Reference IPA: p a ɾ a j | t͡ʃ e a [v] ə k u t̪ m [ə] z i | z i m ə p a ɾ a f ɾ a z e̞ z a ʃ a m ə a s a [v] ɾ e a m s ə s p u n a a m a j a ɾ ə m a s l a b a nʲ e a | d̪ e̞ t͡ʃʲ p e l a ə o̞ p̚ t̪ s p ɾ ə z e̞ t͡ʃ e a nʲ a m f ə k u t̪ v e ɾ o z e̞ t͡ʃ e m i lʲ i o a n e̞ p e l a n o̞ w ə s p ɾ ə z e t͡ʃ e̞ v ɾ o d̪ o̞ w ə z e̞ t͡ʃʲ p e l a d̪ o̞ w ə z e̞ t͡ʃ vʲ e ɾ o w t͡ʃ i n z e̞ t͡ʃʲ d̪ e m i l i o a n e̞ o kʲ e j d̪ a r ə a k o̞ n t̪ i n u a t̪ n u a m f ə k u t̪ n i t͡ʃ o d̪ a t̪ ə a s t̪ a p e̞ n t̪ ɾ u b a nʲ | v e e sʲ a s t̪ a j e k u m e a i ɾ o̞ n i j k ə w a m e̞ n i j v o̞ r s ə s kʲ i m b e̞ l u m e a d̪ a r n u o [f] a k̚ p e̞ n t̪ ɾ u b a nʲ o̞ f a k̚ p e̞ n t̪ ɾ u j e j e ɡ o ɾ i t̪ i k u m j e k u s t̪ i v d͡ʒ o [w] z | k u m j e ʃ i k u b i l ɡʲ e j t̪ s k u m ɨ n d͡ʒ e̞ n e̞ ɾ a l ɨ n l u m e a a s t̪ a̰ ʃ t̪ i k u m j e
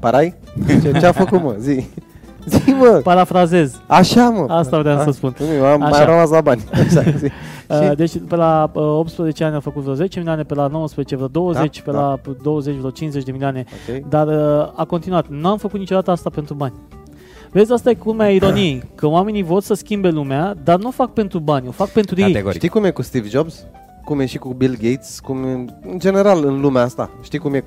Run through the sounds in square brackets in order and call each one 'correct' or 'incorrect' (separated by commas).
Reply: incorrect, correct, correct, correct, incorrect